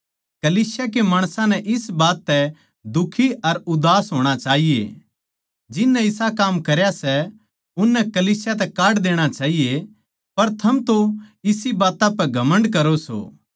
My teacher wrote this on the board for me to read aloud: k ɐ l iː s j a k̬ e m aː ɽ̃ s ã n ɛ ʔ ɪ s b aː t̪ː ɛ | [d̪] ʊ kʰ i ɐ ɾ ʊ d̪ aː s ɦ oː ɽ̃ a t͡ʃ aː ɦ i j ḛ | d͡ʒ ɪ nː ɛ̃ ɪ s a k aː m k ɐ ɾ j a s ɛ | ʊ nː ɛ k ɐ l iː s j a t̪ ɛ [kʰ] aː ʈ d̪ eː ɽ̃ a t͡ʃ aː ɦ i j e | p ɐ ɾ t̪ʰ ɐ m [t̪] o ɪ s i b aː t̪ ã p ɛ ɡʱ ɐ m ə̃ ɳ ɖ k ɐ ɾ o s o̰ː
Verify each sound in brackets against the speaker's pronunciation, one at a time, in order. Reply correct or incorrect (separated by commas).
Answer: correct, incorrect, correct